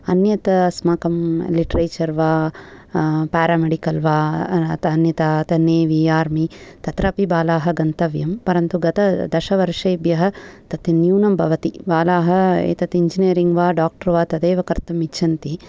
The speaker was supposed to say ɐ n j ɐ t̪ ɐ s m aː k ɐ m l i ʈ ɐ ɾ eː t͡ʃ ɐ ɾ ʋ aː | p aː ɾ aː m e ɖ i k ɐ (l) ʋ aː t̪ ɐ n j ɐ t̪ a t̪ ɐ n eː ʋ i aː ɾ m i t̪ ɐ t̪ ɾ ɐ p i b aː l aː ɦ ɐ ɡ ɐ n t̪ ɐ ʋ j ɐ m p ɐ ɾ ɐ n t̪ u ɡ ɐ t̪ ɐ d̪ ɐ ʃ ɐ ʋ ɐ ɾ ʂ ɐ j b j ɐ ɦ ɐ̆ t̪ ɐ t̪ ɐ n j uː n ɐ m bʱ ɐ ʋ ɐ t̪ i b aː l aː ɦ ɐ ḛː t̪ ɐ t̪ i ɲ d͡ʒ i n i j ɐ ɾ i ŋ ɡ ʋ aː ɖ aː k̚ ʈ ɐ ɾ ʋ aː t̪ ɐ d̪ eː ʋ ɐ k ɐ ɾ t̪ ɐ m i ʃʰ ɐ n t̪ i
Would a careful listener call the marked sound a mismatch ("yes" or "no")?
no